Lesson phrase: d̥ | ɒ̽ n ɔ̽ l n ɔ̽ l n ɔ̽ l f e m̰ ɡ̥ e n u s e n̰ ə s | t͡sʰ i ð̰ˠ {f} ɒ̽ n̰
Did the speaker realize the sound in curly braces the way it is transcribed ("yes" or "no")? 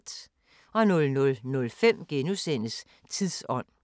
no